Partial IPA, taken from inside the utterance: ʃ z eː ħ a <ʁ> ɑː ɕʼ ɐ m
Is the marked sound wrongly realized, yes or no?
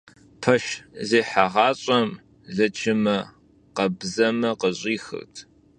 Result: no